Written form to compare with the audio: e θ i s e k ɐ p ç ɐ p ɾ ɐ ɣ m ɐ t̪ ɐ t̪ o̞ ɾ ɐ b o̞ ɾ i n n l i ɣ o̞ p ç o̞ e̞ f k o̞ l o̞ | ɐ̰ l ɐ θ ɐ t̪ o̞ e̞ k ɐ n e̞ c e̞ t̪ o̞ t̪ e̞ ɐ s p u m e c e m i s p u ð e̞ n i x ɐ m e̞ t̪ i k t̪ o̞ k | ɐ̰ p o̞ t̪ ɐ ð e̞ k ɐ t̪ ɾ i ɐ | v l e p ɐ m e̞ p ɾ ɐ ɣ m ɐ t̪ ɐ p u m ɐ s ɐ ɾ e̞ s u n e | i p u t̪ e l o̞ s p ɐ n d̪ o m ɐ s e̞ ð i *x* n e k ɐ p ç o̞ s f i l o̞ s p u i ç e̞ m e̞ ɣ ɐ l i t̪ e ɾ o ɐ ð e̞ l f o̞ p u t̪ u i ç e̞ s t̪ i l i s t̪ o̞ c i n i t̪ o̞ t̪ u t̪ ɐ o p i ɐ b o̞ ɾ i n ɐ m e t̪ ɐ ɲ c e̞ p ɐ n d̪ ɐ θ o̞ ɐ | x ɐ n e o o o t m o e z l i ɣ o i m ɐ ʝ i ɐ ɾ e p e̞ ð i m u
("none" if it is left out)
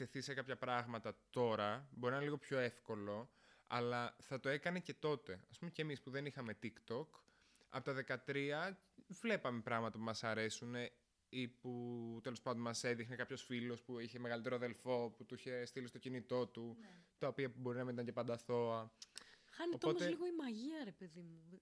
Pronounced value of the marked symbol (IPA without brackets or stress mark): x